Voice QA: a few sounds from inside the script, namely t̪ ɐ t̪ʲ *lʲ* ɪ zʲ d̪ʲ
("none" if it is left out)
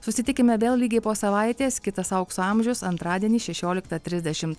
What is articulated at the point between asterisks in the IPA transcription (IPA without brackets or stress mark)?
ɾʲ